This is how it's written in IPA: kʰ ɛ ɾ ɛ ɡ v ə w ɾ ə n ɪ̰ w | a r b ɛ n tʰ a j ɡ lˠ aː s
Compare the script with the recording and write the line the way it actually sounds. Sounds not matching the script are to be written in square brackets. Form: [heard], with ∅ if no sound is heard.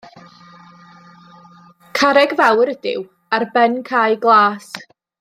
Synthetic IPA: kʰ [a] ɾ ɛ ɡ v [a] w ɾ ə [d] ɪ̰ w | a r b ɛ n [kʰ] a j ɡ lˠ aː s